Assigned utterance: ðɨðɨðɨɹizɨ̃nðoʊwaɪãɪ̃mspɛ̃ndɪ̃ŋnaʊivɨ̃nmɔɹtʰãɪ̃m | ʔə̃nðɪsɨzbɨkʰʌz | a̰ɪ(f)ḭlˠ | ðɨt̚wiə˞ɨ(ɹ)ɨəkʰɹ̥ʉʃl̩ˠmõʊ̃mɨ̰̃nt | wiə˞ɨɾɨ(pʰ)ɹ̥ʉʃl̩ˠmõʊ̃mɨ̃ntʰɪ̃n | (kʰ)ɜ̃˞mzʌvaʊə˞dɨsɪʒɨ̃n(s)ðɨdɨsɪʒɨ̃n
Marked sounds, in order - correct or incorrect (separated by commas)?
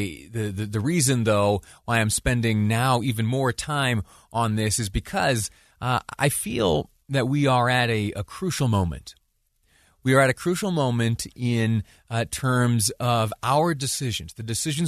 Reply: correct, incorrect, incorrect, incorrect, incorrect